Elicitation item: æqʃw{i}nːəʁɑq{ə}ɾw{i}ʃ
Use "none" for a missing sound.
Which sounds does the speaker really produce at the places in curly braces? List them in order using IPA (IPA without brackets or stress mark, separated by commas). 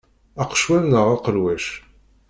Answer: æ, ə, æ